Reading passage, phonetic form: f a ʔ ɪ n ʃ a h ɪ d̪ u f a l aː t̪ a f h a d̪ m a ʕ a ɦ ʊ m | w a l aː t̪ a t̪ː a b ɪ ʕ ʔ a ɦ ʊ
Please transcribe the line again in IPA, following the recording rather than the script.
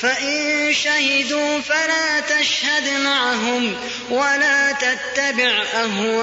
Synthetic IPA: f a ʔ ɪ n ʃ a h ɪ d̪ uː f a l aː t̪ a ʃ h a d̪ m a ʕ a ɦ ʊ m | w a l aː t̪ a t̪ː a b ɪ ʕ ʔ a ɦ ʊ